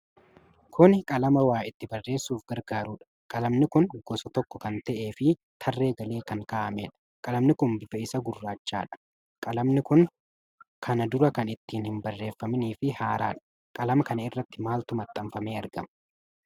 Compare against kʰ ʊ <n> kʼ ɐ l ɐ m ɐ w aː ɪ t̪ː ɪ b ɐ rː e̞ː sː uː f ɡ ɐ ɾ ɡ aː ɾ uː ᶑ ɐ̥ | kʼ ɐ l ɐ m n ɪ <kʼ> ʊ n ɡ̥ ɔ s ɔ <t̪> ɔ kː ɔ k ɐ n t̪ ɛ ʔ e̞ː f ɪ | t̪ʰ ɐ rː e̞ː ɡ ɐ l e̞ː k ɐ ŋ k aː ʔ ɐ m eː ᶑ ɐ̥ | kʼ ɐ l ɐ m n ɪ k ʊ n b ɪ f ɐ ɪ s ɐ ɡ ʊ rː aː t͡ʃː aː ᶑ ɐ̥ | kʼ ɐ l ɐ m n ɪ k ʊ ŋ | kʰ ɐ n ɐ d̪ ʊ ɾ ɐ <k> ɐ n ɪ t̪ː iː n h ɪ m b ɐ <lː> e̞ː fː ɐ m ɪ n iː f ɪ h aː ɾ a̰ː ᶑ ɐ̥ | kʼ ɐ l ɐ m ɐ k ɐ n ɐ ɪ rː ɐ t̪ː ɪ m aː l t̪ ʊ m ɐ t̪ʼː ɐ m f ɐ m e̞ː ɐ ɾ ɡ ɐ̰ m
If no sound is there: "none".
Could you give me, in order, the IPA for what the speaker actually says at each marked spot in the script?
n, k, t̪, k, rː

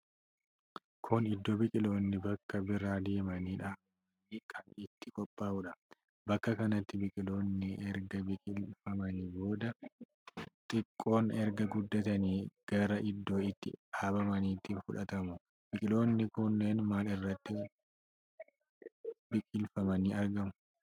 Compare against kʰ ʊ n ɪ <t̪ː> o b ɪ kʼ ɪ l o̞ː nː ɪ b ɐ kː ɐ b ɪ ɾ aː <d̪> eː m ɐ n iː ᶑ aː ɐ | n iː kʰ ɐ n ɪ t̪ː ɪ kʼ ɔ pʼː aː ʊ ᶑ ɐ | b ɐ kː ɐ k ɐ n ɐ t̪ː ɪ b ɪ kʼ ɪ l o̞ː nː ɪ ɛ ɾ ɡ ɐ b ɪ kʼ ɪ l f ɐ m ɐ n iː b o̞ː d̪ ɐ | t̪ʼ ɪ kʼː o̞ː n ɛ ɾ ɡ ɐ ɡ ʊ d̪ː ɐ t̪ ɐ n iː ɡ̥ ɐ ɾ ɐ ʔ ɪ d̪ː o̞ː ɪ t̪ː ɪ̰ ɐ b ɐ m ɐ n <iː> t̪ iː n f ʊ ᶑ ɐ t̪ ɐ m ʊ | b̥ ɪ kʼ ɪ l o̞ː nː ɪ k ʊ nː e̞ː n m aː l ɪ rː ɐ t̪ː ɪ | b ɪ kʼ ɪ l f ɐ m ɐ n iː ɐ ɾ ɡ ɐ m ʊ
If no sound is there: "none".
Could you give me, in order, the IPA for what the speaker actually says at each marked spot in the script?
d̪ː, d̪, iː

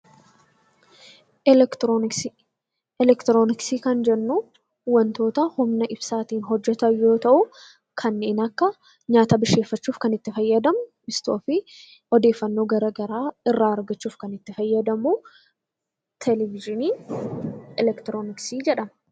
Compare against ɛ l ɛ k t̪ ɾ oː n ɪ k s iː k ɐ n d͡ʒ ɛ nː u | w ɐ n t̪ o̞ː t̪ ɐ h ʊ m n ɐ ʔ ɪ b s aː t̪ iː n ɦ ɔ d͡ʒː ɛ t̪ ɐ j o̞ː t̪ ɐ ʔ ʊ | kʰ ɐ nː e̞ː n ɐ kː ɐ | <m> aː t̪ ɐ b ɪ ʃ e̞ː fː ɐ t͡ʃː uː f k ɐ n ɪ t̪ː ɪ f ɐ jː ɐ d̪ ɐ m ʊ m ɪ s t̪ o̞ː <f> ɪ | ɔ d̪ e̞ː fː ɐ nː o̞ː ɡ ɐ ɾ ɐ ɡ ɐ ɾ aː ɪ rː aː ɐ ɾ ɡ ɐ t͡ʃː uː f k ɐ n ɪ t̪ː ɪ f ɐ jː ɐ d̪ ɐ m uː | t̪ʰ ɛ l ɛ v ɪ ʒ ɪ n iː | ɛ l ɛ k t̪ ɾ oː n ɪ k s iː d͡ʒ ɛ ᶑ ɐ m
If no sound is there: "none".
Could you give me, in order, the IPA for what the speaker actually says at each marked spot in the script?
ɲ, f

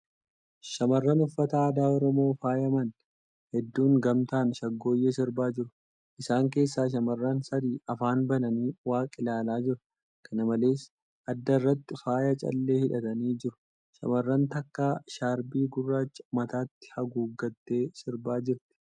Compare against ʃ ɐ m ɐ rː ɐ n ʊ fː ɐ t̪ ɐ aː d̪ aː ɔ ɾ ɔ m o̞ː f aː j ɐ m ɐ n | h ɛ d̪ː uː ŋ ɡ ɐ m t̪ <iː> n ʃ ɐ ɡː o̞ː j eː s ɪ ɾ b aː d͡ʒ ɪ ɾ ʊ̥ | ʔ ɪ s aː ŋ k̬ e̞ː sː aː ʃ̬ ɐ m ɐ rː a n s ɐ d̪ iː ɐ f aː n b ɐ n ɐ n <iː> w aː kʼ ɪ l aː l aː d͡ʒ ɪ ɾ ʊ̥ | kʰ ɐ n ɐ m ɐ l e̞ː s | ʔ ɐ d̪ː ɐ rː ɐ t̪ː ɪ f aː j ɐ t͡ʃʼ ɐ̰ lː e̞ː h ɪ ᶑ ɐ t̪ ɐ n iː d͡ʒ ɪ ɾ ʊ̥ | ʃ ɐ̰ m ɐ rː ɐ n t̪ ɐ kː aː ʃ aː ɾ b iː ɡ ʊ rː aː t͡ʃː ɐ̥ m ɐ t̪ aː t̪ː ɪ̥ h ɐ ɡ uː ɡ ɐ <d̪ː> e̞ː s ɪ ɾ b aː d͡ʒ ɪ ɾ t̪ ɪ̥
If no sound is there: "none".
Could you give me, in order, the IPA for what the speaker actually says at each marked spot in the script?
aː, iː, t̪ː

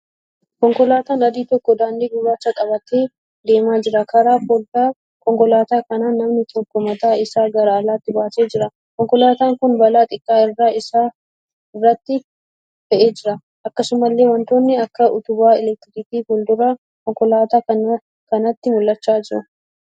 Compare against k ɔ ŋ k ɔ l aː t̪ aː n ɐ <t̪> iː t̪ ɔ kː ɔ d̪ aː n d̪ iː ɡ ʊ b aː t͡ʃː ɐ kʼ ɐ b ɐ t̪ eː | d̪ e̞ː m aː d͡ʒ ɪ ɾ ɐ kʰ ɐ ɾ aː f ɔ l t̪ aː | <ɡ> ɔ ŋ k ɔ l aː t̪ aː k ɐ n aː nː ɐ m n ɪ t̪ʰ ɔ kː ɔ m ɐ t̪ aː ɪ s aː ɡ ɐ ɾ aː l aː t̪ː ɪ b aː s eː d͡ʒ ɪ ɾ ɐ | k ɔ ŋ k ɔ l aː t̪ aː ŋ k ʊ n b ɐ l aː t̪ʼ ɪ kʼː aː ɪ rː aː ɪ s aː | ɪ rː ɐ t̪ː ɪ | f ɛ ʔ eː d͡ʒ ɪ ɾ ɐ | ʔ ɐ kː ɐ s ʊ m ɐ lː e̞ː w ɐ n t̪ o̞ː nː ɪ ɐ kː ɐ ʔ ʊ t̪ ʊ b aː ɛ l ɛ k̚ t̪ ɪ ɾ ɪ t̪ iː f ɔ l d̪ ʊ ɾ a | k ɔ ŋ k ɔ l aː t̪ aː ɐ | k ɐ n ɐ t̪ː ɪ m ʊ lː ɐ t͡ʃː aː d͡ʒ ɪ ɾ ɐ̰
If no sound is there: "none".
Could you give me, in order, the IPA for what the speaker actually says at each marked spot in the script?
d̪, k

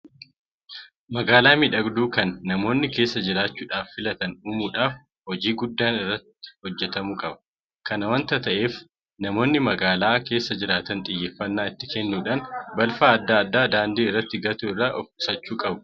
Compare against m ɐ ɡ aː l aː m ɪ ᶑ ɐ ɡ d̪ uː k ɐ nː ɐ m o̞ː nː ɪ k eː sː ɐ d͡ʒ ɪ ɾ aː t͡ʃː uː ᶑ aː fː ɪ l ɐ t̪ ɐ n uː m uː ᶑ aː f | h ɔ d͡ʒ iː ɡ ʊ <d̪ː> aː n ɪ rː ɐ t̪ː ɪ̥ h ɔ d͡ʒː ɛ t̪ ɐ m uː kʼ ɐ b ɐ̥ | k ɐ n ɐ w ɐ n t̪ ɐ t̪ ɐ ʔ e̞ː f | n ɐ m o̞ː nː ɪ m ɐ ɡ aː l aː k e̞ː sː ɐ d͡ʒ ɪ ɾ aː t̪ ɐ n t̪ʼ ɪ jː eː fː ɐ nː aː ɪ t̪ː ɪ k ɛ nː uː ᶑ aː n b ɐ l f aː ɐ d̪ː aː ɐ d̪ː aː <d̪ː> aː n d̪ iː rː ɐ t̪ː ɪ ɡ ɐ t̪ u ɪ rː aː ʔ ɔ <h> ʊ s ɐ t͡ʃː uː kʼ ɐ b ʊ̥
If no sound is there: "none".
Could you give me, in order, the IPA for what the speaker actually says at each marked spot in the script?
d̪ː, d̪, f

